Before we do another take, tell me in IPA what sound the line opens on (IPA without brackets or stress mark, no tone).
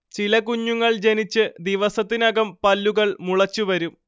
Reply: t͡ɕ